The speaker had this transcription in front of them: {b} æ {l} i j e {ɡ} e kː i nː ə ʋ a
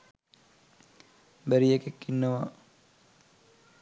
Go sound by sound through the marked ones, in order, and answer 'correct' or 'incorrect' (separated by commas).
correct, incorrect, incorrect